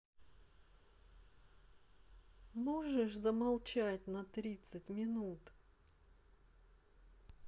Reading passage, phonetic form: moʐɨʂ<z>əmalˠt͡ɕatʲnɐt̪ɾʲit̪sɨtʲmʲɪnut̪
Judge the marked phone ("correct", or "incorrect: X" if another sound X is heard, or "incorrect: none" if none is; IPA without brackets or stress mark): correct